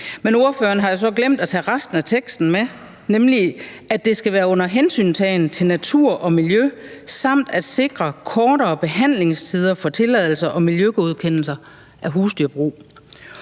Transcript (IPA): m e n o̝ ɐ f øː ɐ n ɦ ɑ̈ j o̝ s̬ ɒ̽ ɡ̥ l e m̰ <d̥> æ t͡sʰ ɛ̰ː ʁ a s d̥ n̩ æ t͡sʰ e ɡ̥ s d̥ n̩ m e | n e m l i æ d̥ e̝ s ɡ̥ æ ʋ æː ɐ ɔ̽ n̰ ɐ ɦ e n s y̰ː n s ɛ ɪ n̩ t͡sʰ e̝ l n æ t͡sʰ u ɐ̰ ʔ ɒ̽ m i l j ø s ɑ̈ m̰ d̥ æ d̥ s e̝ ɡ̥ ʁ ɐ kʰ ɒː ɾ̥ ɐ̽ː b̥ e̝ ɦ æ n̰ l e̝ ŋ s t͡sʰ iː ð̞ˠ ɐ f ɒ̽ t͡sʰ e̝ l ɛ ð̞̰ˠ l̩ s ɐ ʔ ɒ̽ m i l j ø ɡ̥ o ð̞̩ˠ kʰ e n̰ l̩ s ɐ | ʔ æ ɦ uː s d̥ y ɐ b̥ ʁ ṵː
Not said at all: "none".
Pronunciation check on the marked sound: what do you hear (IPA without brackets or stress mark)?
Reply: d̥